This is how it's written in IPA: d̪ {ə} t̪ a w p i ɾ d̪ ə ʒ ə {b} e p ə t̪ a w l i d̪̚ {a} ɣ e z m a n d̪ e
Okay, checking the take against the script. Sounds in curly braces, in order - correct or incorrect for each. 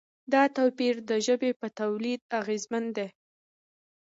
incorrect, correct, correct

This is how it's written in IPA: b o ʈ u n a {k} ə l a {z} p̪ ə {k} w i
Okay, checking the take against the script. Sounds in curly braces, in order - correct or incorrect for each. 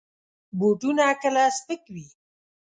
correct, incorrect, correct

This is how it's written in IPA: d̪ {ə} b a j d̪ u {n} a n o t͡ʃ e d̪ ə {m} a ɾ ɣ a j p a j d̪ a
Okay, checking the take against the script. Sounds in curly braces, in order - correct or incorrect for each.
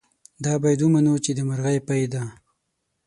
incorrect, incorrect, correct

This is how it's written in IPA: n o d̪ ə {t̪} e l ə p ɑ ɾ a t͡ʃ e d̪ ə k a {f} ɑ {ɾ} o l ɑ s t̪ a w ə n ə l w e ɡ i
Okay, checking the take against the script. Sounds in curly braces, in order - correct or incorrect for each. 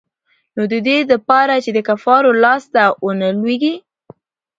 incorrect, correct, correct

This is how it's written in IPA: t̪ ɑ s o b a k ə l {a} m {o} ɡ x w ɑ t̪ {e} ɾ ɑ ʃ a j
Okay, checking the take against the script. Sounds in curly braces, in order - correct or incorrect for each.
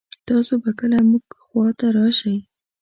correct, incorrect, incorrect

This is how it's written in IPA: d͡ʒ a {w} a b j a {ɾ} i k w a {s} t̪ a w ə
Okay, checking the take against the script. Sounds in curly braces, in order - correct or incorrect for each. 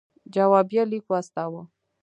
correct, incorrect, correct

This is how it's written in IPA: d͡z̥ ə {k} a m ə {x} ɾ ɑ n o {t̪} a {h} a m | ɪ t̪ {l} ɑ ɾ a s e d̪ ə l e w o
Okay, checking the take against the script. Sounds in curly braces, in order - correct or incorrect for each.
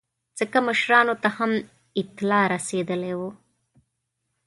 correct, incorrect, correct, correct, correct

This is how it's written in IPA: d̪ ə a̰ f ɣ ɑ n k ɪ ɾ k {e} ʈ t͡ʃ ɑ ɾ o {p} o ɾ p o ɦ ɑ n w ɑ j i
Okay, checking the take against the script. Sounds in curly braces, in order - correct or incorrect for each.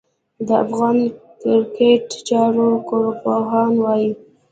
correct, incorrect

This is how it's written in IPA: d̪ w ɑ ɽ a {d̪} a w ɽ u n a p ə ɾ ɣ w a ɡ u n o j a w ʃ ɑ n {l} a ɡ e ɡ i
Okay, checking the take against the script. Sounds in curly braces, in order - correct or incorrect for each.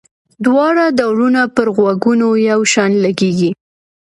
correct, correct

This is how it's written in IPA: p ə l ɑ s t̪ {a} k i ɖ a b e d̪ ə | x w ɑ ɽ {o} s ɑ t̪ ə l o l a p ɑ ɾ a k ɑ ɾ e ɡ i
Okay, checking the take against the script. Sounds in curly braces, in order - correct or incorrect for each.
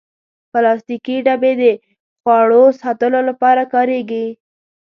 incorrect, correct

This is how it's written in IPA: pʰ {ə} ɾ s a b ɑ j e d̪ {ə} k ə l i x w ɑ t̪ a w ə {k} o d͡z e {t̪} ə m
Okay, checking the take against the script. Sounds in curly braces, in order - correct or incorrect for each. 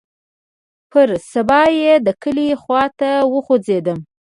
correct, correct, incorrect, incorrect

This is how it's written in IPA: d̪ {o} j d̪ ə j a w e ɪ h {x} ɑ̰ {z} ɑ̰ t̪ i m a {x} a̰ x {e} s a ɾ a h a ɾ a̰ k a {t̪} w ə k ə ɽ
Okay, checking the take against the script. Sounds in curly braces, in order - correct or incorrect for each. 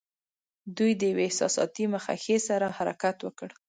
incorrect, incorrect, incorrect, correct, correct, correct

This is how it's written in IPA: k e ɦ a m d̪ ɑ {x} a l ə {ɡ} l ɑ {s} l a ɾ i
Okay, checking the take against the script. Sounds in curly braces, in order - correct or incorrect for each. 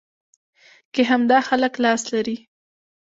correct, incorrect, correct

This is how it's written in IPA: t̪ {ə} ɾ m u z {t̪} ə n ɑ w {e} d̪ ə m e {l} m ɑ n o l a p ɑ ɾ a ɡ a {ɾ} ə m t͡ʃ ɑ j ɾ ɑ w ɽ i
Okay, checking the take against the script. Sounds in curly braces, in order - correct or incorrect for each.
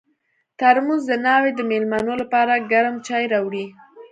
incorrect, incorrect, correct, correct, correct

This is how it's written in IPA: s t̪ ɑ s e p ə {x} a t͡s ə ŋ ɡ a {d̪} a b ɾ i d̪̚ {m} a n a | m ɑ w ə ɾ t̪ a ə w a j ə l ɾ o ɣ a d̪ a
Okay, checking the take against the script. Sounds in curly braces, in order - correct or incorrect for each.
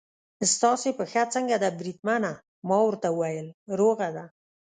correct, correct, correct

